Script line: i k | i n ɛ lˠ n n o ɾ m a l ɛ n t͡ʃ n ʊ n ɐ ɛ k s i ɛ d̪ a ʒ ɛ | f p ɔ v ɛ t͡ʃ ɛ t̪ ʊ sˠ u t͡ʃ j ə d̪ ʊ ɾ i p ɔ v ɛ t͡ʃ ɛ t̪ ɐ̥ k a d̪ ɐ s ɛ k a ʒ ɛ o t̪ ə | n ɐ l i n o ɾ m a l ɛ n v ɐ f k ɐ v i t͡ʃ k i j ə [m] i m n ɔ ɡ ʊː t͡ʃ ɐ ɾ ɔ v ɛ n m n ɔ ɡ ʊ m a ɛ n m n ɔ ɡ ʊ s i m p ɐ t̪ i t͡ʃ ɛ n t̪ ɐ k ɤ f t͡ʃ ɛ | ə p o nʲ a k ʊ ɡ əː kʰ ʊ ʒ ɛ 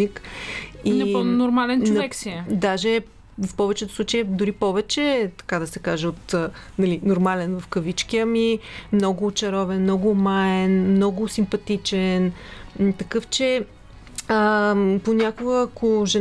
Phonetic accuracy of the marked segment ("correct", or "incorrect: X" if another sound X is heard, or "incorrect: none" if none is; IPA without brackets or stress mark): correct